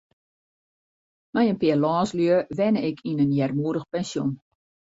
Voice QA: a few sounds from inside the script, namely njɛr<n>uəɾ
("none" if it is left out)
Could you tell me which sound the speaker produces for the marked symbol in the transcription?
m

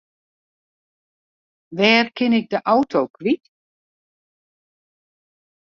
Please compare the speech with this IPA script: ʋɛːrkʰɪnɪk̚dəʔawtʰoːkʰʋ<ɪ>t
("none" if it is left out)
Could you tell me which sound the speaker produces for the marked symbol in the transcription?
i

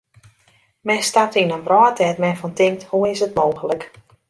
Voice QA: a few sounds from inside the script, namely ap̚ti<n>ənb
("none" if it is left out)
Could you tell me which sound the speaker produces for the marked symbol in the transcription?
n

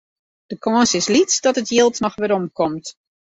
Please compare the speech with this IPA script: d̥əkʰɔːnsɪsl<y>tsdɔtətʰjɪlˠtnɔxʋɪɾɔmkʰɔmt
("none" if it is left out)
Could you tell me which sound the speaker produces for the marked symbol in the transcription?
i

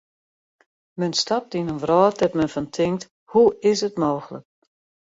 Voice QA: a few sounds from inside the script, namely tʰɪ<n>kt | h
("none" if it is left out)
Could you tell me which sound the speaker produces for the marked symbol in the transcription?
ŋ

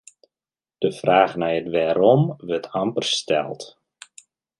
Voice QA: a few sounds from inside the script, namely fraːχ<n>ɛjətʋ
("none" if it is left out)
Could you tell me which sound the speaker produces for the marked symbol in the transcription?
n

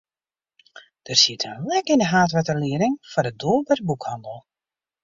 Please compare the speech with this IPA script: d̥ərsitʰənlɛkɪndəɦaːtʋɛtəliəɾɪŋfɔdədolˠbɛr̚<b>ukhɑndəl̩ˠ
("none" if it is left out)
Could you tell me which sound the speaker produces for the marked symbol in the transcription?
b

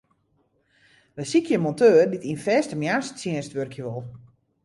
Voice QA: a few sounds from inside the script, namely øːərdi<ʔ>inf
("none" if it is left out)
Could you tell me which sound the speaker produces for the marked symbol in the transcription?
t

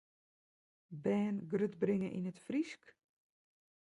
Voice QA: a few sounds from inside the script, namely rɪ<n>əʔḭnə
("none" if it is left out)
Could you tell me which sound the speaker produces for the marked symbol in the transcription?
ŋ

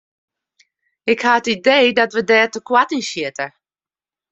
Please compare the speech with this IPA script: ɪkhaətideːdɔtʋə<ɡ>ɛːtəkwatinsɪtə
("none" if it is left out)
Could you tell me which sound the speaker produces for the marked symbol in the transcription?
d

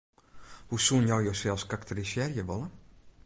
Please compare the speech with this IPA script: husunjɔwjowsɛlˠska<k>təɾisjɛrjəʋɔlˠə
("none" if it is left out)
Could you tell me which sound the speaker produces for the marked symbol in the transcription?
k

